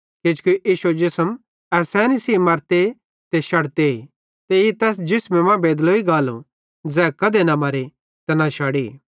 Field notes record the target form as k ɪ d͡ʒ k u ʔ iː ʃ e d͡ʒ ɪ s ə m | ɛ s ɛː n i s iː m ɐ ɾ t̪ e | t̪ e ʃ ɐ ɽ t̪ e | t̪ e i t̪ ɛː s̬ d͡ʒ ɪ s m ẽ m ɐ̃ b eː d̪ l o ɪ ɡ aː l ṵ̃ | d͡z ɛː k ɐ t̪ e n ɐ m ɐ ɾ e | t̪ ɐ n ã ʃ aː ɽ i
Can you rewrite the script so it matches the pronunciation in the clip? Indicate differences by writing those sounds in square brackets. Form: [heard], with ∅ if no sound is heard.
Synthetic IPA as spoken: k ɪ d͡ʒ k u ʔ iː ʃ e d͡ʒ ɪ s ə m | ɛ s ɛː n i s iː m ɐ ɾ t̪ e | t̪ e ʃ ɐ ɽ t̪ e | t̪ e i t̪ ɛː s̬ d͡ʒ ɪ s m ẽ m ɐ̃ b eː d̪ l o [i] ɡ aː l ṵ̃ | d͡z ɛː k ɐ [d̪] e n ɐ m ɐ ɾ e | t̪ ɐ n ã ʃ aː ɽ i